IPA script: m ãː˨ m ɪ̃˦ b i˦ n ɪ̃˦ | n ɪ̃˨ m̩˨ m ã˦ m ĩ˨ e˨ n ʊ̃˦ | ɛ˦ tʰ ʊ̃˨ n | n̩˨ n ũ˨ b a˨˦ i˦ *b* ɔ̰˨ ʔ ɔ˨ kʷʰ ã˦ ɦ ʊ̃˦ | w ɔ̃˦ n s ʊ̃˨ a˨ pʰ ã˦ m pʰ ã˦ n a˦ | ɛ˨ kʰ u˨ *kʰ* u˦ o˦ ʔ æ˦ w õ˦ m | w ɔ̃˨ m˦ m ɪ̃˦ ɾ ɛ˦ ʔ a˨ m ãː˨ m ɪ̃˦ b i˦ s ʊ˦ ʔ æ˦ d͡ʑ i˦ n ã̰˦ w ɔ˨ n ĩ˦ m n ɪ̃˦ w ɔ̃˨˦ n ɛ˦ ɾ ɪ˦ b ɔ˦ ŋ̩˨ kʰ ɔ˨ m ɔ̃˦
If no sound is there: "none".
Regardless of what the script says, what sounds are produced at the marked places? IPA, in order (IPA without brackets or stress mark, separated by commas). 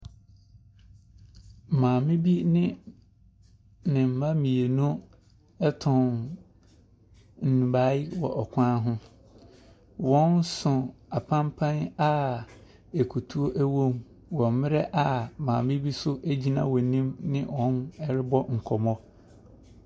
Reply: w, tʰ